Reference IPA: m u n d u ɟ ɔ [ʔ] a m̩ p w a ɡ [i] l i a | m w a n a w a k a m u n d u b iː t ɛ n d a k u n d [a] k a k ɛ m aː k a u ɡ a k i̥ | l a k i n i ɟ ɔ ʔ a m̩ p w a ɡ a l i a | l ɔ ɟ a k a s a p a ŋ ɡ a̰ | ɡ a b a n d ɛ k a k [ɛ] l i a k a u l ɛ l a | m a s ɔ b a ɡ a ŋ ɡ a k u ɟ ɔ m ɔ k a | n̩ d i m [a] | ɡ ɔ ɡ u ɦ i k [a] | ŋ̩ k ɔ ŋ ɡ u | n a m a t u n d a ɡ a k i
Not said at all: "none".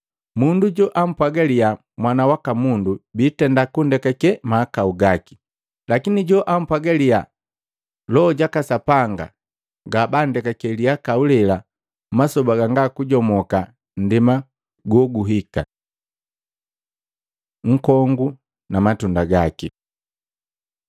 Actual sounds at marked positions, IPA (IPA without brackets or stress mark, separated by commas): ʔ, a, ɛ, ɛ, a, a